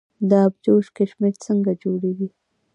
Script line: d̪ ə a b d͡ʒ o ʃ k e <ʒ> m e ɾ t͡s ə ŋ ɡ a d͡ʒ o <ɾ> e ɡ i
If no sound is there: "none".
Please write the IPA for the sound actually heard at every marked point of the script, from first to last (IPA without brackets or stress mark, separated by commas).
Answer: ʃ, ɽ